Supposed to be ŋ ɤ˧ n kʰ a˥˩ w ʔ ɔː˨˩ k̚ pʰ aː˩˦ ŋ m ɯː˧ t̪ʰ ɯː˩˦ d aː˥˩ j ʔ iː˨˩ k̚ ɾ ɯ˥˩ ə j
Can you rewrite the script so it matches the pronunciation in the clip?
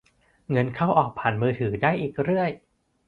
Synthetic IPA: ŋ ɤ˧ n kʰ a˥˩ w ʔ ɔː˨˩ k̚ pʰ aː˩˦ n m ɯː˧ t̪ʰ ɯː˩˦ d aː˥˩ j ʔ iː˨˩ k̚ ɾ ɯ˥˩ ə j